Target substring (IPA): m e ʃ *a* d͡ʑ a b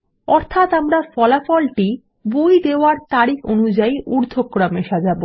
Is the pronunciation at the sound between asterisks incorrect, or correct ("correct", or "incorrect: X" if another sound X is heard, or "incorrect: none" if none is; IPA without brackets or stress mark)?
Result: correct